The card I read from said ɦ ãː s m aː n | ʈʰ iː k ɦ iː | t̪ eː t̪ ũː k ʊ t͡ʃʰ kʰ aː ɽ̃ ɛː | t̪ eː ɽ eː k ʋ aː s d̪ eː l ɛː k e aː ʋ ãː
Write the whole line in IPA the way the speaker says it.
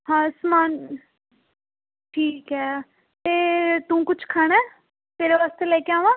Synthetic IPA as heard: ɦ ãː s m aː n | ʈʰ iː k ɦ ɛː | t̪ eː t̪ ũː k ʊ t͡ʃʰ kʰ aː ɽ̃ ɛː | t̪ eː ɾ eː ʋ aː s t̪ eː l ɛː k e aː ʋ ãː